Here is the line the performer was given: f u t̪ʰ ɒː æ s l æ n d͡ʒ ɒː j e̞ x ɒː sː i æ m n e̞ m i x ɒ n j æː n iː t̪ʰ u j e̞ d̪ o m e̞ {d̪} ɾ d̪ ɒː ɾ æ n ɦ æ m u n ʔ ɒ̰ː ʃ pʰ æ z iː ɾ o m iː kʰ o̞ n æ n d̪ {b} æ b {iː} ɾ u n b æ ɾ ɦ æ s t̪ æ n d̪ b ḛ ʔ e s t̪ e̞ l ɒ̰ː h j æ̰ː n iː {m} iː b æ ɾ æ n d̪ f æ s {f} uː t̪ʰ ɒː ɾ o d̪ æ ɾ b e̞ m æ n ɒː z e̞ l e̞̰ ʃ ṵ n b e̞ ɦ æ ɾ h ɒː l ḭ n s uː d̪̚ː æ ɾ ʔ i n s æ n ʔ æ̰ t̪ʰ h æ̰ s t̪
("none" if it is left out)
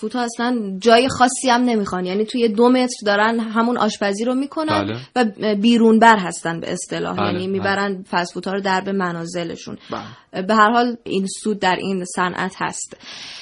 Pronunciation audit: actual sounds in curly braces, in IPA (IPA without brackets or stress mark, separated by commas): t̪, v, iː, m, f